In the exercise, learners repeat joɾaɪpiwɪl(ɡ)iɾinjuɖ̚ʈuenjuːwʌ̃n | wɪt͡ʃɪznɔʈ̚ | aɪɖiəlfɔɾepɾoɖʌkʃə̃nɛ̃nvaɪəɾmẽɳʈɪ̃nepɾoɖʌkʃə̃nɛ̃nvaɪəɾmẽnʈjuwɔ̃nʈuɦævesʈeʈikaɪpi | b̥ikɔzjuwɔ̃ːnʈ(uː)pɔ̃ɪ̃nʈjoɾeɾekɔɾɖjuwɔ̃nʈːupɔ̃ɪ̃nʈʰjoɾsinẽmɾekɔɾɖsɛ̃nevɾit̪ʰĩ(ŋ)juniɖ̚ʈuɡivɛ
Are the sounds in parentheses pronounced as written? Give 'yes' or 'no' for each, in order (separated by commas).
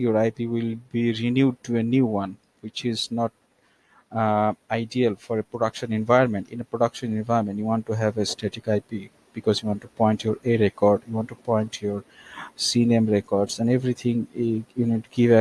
no, no, yes